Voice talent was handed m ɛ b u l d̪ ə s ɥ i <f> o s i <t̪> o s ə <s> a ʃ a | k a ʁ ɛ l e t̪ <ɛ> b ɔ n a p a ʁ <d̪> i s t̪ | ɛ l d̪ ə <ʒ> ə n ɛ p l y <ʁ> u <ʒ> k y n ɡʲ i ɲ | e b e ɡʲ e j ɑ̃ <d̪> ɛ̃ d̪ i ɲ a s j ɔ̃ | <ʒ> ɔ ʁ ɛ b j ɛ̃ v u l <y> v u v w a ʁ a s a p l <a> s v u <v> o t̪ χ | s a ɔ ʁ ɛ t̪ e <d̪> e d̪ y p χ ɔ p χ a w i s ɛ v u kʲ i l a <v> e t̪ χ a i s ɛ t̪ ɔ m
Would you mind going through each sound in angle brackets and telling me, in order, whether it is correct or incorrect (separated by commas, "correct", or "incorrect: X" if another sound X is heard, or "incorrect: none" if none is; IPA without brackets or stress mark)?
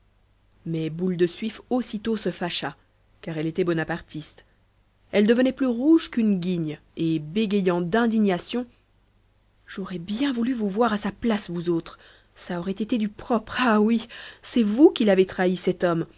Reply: correct, correct, incorrect: f, correct, incorrect: t̪, incorrect: v, correct, correct, correct, correct, correct, correct, incorrect: z, incorrect: t̪, correct